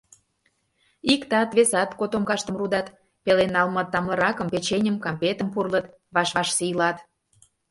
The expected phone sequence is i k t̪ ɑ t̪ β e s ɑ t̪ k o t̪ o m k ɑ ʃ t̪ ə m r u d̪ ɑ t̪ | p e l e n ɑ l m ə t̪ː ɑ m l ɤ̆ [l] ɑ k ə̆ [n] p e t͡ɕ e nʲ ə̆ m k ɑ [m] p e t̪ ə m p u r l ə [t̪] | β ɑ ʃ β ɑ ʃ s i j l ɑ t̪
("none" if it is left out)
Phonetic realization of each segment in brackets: ɾ, m, m, t̪

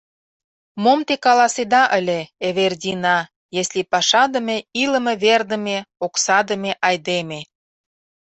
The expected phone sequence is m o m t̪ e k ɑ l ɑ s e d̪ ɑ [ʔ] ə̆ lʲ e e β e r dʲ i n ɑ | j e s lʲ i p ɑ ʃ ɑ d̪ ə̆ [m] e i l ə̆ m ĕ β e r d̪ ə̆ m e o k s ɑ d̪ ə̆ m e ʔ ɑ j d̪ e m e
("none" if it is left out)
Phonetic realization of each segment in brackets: ʔ, m

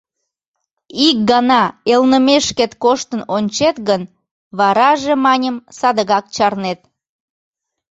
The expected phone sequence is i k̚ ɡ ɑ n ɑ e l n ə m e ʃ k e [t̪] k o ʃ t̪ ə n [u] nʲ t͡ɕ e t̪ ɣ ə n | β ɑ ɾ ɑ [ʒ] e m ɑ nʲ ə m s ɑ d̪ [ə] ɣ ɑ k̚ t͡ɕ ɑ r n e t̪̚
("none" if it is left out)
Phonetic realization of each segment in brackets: t̪, o, ʒ, ə

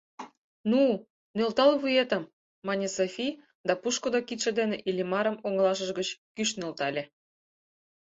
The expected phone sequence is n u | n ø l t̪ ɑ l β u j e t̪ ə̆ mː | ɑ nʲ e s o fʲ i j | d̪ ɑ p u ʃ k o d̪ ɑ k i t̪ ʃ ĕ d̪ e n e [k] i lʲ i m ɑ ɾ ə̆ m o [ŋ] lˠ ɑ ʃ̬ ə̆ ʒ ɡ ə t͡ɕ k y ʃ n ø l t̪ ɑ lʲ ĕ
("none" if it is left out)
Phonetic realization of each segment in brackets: ʔ, ŋ

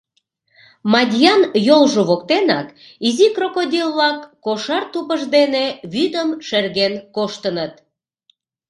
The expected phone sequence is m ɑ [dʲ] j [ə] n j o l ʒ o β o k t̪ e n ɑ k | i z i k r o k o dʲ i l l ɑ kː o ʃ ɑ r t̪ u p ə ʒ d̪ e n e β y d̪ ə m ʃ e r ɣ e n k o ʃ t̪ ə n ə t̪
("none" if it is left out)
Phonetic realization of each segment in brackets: dʲ, ɑ

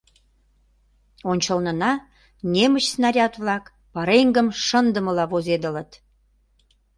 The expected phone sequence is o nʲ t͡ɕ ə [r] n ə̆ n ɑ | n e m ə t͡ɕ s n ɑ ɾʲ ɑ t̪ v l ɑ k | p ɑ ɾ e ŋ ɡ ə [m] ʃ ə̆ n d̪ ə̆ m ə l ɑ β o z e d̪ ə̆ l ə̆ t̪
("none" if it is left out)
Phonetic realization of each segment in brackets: l, m

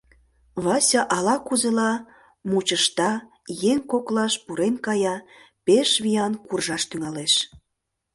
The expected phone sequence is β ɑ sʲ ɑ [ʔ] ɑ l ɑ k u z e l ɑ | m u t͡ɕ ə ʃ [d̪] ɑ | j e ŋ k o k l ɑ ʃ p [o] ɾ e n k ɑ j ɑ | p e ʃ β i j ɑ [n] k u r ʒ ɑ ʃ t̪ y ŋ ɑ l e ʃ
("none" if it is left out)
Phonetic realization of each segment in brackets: ʔ, t̪, u, n

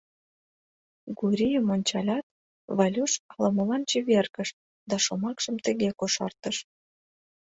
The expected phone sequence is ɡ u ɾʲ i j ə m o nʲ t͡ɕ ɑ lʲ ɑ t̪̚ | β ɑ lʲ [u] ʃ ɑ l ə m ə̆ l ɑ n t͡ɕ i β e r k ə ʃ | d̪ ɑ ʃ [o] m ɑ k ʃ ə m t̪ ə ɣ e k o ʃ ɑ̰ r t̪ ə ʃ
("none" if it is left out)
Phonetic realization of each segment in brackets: u, o

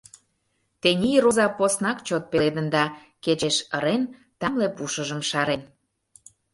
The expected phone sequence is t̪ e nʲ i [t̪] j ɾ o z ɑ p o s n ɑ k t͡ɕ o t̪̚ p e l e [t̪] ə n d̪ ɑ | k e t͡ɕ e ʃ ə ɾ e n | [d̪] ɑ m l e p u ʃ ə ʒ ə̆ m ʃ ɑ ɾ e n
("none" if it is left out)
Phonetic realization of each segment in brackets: none, d̪, t̪

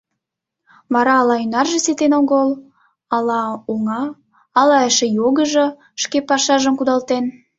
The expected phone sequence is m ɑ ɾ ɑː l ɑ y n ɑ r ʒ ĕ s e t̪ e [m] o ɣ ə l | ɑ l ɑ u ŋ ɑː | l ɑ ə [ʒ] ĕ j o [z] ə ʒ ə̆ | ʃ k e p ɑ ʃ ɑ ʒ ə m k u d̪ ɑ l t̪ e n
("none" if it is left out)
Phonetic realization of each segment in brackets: n, ʃ, ɣ

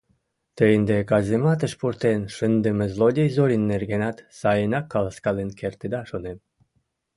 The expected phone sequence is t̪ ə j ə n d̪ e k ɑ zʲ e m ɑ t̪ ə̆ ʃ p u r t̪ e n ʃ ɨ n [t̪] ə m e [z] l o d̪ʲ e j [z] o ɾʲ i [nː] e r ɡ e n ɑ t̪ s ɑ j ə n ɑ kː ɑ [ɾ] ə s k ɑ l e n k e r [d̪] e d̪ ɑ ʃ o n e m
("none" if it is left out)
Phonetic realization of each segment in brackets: d̪, z, z, nː, l, t̪

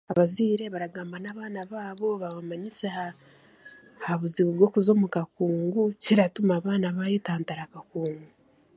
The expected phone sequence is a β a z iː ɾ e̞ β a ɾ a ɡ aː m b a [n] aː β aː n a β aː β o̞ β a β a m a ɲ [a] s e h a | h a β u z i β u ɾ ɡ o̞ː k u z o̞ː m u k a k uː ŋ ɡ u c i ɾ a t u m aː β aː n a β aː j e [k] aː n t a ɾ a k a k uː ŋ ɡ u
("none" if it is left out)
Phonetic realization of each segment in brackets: n, i, t

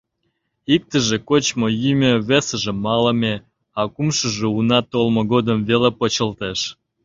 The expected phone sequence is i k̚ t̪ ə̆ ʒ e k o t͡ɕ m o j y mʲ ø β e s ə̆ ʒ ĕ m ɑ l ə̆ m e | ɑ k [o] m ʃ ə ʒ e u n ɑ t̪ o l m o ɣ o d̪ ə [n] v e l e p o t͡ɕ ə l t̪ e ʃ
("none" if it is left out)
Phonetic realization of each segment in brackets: u, m

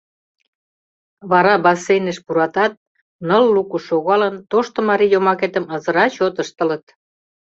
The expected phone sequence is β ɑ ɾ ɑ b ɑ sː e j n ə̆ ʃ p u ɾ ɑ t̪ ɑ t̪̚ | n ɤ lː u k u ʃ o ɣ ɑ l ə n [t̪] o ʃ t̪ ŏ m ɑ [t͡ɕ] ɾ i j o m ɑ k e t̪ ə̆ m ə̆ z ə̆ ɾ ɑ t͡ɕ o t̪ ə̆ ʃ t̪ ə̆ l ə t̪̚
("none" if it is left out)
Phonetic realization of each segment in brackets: t̪, none

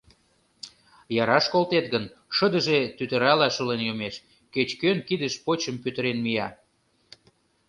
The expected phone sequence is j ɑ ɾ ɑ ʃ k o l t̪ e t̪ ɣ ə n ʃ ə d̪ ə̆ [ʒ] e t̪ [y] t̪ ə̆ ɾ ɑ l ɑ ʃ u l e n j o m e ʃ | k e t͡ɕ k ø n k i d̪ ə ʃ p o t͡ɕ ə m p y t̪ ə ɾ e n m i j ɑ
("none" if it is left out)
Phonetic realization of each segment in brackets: ʒ, y

